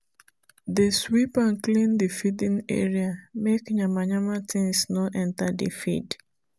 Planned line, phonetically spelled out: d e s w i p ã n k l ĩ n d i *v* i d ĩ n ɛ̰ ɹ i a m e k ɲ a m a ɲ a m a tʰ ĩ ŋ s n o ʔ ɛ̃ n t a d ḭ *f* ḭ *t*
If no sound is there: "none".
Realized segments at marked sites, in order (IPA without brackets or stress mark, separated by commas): f, f, d